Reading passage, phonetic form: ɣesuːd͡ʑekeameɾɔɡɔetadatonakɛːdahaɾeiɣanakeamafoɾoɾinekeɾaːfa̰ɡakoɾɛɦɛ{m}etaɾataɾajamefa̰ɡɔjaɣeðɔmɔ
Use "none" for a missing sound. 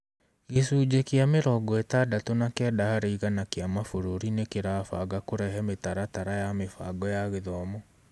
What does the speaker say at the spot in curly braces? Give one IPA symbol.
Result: m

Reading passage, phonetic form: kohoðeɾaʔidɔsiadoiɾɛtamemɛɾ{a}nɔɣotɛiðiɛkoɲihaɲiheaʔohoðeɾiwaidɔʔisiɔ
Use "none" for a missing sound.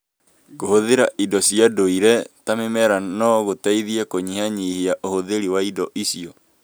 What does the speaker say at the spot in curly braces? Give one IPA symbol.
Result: a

